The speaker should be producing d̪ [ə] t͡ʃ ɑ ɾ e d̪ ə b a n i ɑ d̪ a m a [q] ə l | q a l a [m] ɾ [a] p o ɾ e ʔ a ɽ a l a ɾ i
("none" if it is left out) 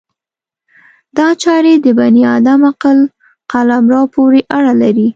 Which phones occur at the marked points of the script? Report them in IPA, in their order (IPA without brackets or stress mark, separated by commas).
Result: ɑ, q, m, ɑ